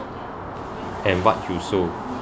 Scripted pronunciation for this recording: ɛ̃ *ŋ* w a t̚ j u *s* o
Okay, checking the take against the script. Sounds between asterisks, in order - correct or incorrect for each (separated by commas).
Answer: incorrect, correct